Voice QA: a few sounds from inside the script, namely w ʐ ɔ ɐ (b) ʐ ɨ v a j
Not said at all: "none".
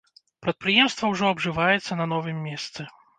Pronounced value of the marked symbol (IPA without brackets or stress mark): b